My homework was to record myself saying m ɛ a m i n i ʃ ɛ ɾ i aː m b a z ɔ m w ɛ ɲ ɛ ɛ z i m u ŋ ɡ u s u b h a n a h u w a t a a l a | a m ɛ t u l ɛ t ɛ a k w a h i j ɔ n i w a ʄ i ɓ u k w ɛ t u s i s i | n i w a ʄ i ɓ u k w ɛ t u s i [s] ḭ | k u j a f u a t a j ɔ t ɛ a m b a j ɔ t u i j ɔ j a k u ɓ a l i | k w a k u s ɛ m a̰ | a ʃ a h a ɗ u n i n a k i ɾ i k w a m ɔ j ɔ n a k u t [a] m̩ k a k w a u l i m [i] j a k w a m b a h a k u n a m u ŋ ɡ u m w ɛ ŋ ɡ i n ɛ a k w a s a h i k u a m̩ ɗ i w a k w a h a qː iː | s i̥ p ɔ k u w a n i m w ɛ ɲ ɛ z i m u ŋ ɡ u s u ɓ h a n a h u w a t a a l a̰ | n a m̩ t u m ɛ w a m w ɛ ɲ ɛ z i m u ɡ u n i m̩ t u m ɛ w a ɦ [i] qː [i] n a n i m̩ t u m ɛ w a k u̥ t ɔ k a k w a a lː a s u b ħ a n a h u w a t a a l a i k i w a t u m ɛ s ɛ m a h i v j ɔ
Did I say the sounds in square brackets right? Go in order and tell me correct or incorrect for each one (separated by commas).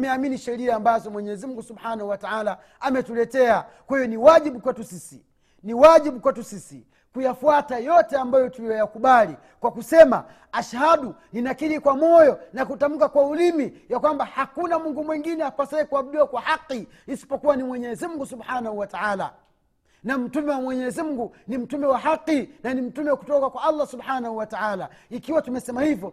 correct, correct, correct, incorrect, correct